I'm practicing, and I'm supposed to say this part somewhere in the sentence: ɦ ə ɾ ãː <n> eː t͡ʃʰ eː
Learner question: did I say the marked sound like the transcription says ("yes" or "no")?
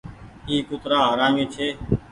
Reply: no